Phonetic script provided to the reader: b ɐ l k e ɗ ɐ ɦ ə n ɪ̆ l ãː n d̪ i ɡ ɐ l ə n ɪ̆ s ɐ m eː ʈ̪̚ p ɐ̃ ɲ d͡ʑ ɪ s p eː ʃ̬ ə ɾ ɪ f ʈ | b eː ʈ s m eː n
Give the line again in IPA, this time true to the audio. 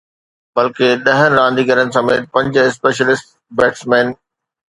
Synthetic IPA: b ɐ l k e ɗ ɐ ɦ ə n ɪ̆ ɾ ãː n d̪ i ɡ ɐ ɾ ə n ɪ̆ s ɐ m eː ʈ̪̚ p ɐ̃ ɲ d͡ʑ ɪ s p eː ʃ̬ ə l ɪ s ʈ | b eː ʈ s m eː n